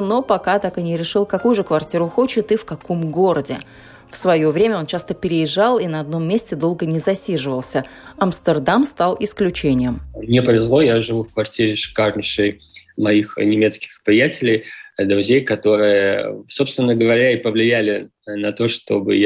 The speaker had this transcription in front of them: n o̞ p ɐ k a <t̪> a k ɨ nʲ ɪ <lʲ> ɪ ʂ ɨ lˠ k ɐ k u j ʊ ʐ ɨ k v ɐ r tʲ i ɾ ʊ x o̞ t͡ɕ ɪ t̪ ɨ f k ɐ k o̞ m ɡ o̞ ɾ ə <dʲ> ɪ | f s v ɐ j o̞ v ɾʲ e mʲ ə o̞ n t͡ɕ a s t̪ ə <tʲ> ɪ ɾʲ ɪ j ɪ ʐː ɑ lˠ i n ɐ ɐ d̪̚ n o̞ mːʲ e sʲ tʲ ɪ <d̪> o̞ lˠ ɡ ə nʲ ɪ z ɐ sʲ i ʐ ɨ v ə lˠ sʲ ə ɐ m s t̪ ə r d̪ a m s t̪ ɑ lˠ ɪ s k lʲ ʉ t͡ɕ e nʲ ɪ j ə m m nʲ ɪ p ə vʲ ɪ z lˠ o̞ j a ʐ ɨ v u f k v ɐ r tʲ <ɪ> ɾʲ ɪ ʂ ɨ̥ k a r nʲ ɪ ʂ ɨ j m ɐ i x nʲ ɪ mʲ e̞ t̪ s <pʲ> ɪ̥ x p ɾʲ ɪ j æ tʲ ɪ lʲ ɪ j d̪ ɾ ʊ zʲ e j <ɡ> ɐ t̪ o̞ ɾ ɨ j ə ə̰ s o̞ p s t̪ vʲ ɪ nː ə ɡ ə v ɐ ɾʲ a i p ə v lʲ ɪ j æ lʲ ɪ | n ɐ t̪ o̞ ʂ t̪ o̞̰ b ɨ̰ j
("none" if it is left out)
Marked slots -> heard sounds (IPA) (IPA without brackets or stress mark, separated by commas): t̪, ɾʲ, dʲ, pʲ, d̪, i, kʲ, k